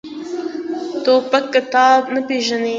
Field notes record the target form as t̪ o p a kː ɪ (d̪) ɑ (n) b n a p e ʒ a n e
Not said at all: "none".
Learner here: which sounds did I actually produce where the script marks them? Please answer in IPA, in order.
t̪, none

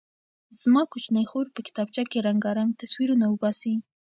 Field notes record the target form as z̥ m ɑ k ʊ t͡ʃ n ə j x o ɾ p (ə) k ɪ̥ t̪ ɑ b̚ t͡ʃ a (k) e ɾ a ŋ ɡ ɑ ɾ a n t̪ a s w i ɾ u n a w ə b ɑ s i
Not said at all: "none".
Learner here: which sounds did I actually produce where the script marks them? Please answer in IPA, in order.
ə, k

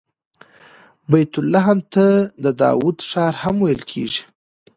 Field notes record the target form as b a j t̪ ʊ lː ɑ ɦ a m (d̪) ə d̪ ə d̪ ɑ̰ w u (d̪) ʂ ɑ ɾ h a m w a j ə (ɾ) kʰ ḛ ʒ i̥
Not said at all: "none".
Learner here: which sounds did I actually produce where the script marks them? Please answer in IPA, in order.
t̪, d̪, l

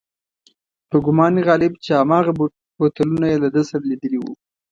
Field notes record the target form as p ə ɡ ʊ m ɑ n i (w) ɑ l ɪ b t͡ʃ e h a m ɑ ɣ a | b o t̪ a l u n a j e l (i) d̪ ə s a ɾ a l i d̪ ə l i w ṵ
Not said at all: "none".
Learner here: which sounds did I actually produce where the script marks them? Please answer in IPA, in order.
ɣ, a

